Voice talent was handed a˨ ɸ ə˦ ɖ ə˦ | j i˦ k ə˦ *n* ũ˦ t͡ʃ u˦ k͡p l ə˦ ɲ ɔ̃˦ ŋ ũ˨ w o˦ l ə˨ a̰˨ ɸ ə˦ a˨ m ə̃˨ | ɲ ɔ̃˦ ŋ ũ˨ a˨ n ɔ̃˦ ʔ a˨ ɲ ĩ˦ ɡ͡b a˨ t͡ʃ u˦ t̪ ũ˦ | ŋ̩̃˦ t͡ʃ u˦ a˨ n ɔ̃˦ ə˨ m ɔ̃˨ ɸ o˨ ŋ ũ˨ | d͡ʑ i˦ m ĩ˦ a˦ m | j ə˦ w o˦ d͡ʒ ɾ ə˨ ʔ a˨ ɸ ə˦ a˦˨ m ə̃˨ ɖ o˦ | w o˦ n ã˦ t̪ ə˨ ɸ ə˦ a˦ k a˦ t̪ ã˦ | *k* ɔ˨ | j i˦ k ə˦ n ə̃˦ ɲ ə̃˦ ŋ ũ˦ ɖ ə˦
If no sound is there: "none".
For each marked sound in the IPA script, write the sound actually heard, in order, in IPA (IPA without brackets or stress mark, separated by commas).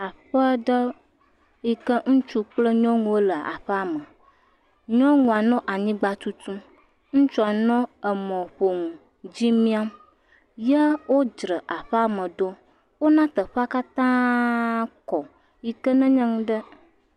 ŋ, k